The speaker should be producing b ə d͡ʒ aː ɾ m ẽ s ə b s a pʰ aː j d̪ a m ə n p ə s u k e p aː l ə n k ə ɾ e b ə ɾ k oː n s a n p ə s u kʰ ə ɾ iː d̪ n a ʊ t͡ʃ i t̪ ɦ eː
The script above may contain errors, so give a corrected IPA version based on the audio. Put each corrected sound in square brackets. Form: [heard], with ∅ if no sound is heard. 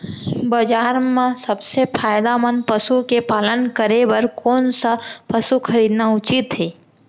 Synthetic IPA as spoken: b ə d͡ʒ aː ɾ m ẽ s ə b s [e] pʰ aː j d̪ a m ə n p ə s u k e p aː l ə n k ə ɾ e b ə ɾ k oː n s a [∅] p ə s u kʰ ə ɾ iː d̪ n a ʊ t͡ʃ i t̪ ɦ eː